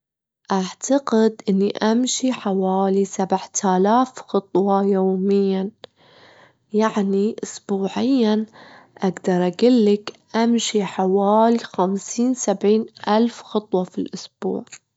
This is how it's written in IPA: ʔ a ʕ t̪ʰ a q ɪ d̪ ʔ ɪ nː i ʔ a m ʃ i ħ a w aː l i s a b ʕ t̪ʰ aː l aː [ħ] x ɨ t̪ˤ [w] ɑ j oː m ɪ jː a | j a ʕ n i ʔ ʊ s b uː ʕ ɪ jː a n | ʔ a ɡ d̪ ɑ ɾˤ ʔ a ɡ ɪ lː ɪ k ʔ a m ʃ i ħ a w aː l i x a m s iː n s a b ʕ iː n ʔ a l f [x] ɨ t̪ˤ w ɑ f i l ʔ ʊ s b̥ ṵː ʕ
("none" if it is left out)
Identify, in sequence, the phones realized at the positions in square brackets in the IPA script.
f, w, x

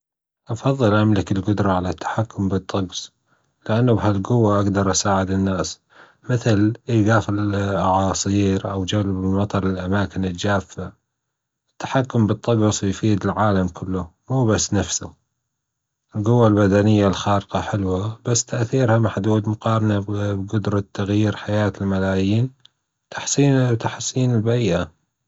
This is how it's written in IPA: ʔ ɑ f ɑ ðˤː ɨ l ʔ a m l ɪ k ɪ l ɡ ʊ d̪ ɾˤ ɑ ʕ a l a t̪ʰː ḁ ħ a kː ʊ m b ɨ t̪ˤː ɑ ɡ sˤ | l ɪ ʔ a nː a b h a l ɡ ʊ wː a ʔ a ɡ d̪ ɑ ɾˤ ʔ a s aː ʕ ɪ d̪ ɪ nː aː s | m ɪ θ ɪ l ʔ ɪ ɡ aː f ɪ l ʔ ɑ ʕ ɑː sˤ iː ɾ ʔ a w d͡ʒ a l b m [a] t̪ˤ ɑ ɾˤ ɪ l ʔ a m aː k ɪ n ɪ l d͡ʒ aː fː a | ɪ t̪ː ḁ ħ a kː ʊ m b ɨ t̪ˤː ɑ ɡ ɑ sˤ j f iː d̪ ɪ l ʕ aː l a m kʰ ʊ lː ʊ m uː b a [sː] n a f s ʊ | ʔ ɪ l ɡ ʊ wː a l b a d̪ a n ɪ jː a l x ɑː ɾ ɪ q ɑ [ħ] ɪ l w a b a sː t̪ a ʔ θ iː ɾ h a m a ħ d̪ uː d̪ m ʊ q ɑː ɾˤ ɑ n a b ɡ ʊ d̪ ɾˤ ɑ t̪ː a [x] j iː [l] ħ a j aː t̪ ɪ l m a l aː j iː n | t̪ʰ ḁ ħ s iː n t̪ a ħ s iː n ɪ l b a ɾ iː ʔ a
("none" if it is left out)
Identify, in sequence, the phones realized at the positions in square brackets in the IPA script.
ɑ, sː, ħ, ɣ, ɾ

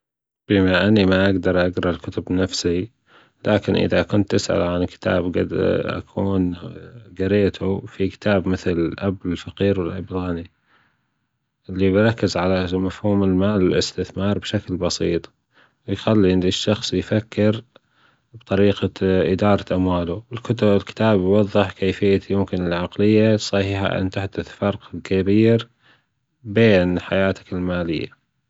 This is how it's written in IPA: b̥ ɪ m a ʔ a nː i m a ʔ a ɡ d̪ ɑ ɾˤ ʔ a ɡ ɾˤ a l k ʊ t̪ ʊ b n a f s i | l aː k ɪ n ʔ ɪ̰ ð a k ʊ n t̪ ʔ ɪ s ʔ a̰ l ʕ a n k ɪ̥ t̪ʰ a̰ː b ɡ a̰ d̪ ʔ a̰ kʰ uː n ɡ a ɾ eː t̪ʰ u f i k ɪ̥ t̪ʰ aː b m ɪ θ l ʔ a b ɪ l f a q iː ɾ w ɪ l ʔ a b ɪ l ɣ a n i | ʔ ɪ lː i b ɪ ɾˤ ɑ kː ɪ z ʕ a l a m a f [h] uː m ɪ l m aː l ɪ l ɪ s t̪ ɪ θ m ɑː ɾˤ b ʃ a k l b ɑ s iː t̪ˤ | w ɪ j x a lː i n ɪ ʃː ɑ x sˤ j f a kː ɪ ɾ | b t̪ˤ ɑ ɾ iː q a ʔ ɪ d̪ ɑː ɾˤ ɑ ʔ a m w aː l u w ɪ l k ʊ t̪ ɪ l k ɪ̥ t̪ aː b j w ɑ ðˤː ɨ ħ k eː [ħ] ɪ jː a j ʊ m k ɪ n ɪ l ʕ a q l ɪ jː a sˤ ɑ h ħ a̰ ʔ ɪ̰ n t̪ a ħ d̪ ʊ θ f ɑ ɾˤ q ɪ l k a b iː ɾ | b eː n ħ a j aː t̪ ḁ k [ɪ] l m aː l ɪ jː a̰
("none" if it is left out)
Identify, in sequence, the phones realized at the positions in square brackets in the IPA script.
h, f, ɪ

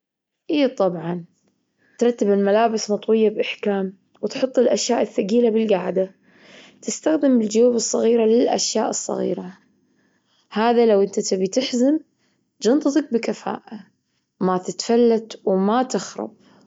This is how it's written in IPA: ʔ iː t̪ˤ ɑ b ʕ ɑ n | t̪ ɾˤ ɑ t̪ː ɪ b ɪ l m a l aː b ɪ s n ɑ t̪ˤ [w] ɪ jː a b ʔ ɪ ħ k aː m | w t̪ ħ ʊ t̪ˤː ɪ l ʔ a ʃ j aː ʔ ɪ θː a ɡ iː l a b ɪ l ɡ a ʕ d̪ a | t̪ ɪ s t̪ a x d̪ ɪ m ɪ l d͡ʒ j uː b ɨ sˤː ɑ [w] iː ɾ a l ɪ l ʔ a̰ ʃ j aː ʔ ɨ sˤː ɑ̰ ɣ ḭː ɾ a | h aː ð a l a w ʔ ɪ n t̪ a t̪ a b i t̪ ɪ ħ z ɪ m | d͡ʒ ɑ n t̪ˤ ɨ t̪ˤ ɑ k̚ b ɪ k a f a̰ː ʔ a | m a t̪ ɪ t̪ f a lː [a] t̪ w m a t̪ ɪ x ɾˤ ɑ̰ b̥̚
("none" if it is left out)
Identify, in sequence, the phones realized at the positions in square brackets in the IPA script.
w, ɣ, a

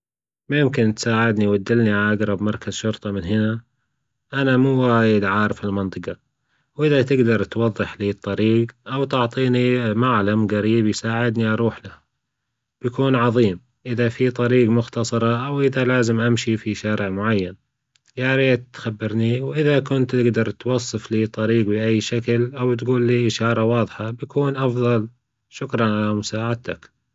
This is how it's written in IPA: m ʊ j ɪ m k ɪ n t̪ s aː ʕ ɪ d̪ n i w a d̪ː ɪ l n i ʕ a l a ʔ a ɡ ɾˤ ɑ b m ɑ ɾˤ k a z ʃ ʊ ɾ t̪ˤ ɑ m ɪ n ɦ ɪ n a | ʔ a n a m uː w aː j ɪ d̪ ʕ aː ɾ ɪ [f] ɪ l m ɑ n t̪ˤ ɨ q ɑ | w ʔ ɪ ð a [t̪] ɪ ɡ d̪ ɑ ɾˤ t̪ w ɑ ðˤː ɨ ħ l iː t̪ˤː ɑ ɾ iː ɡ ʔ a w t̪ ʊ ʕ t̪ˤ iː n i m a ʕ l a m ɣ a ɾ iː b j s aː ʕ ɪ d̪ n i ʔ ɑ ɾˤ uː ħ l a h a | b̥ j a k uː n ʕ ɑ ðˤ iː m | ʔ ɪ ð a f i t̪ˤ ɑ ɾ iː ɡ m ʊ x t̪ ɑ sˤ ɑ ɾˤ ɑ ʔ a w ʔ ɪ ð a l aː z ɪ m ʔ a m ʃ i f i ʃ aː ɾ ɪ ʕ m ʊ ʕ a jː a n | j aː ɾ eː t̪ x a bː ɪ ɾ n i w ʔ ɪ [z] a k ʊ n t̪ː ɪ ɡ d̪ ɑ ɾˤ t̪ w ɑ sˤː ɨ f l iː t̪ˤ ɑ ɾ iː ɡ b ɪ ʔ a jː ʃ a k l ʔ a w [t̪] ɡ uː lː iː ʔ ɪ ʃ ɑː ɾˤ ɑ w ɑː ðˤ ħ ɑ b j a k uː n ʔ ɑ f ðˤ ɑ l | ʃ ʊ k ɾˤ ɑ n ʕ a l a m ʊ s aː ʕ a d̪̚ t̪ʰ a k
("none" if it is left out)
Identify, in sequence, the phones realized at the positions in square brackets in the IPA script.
f, t̪, ð, t̪

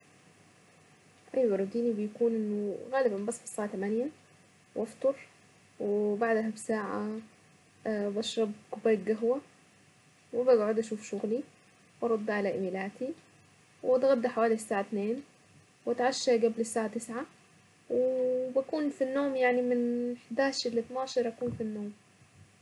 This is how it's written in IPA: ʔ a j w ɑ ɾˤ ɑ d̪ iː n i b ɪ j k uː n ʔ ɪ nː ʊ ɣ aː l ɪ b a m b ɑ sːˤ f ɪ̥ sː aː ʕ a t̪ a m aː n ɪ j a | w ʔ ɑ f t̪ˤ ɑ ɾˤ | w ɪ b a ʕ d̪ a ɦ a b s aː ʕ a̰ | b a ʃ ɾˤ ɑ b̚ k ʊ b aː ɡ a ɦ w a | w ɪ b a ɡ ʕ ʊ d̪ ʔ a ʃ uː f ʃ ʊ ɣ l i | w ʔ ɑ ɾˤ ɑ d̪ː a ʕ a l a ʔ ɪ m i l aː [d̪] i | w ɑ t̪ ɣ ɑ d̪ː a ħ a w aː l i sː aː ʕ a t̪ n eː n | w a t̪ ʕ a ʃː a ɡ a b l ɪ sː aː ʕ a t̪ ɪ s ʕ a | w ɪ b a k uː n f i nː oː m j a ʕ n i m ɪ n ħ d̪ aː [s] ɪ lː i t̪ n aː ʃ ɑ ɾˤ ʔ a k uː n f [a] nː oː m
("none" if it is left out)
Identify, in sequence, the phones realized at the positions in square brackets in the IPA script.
t̪, ʃ, i

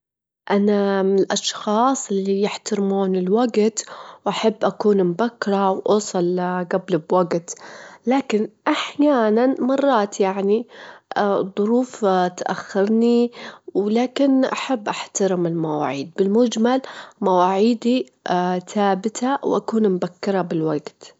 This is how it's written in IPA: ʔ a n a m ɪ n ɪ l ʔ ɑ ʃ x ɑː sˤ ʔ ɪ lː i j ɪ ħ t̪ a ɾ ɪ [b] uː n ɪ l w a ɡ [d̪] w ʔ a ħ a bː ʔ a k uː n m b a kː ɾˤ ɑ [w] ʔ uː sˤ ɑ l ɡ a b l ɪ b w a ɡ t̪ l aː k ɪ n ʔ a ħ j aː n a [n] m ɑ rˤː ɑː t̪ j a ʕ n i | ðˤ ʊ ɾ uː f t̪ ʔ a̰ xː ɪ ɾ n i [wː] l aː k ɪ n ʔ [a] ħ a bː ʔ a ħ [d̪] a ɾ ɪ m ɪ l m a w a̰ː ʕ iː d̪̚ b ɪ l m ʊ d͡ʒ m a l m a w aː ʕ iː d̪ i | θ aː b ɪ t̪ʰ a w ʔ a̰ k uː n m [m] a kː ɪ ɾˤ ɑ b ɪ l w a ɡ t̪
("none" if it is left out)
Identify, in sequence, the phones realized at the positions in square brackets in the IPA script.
m, t̪, w, n, w, a, t̪, b

